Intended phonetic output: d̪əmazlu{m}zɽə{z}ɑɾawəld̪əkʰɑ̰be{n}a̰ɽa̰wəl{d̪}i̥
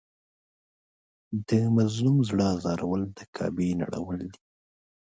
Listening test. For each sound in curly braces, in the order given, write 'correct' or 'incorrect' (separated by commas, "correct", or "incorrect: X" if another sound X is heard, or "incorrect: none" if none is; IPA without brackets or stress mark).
correct, correct, correct, correct